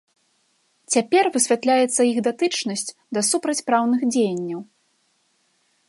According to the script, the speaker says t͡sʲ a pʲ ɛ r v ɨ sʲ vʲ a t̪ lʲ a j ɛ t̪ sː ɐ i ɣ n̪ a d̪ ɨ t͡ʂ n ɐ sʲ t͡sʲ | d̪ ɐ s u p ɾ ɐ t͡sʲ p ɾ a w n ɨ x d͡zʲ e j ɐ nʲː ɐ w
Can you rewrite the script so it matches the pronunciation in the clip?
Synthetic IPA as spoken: t͡sʲ a pʲ ɛ r v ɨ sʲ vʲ a t̪ lʲ a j ɛ t̪ sː ɐ i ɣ d̪ a t̪ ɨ t͡ʂ n ɐ sʲ t͡sʲ | d̪ ɐ s u p ɾ ɐ t͡sʲ p ɾ a w n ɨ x d͡zʲ e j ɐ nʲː ɐ w

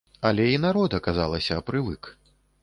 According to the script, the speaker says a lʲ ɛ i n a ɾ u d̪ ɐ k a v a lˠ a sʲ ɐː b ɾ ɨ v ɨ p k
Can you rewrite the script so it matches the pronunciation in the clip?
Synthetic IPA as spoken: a lʲ ɛ i n a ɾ ɔ d̪ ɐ k a z a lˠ ɐ sʲ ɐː p ɾ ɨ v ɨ k

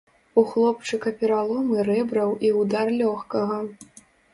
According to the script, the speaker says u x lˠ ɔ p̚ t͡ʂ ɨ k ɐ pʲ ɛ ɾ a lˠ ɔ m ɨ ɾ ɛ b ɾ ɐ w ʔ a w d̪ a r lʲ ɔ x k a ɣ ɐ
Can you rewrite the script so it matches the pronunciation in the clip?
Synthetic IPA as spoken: u x lˠ ɔ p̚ t͡ʂ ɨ k ɐ pʲ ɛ ɾ a lˠ ɔ m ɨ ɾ ɛ b ɾ ɐ w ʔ i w d̪ a r lʲ ɔ x k ɐ ɣ ɐ

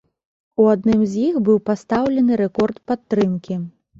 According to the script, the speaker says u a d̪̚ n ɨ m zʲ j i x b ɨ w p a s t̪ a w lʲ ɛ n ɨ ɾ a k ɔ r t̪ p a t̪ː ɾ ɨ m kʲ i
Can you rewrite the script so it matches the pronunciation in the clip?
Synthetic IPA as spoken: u a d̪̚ n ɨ m zʲ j i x b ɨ w p a s t̪ a w lʲ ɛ n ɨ ɾ ɛ k ɔ r t̪ p a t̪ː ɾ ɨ m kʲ i

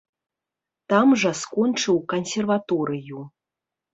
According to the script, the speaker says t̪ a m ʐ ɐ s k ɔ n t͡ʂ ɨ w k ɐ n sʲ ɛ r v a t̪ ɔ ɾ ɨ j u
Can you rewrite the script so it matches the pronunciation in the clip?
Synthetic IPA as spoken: t̪ a m ʐ ɐ s k ɔ n t͡ʂ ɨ w k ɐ n sʲ ɛ r v a t̪ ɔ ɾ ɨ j u

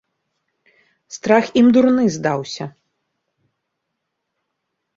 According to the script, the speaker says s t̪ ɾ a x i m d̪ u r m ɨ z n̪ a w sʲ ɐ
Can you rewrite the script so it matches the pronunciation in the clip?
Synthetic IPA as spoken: s t̪ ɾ a x i m d̪ u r n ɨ z d̪ a w sʲ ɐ

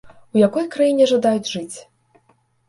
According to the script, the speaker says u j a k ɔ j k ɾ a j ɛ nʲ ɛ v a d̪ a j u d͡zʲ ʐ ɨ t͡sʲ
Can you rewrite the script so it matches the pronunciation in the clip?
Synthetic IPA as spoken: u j a k ɔ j k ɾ a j i nʲ ɛ ʐ a d̪ a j u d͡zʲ ʐ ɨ t͡sʲ

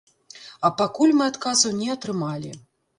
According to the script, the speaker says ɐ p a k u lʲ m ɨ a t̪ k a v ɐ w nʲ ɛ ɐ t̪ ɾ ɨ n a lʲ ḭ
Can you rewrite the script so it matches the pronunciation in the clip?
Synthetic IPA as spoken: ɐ p a k u lʲ m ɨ a t̪ k a z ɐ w nʲ ɛ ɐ t̪ ɾ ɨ m a lʲ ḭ

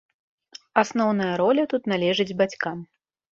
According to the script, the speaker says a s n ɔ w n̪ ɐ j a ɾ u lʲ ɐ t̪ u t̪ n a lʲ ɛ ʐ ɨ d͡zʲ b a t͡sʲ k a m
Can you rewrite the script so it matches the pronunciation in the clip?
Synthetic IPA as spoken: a s n ɔ w n̪ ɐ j ɐ ɾ ɔ lʲ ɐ t̪ u t̪ n a lʲ ɛ ʐ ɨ d͡zʲ b a t͡sʲ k a m

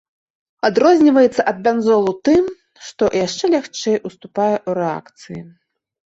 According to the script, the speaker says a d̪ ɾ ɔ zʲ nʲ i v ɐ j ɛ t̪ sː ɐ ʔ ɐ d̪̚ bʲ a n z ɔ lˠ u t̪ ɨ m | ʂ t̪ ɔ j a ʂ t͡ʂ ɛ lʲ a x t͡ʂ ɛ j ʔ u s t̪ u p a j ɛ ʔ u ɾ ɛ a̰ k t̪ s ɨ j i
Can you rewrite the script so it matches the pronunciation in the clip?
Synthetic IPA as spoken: a d̪ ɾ ɔ zʲ nʲ i v ɐ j ɛ t̪ sː ɐ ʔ ɐ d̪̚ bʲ a n z ɔ lˠ u t̪ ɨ m | ʂ t̪ ɔ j a ʂ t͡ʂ ɛ lʲ a x t͡ʂ ɛ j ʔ u s t̪ u p a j ɛ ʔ u ɾ ɛ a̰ k t̪ s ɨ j i

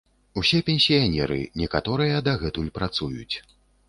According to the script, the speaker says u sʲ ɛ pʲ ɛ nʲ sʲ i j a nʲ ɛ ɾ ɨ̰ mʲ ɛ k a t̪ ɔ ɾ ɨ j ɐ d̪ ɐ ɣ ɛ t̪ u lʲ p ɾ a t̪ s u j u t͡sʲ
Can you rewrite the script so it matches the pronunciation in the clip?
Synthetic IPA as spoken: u sʲ ɛ pʲ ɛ nʲ sʲ i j a nʲ ɛ ɾ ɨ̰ nʲ ɛ k a t̪ ɔ ɾ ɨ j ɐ d̪ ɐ ɣ ɛ t̪ u lʲ p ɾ a t̪ s u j u t͡sʲ

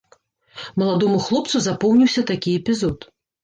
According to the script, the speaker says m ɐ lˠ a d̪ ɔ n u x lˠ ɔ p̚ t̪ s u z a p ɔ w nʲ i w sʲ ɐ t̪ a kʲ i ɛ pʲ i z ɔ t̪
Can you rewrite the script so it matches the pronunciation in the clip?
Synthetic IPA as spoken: m ɐ lˠ a d̪ ɔ m u x lˠ ɔ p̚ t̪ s u z a p ɔ w nʲ i w sʲ ɐ t̪ a kʲ i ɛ pʲ i z ɔ t̪

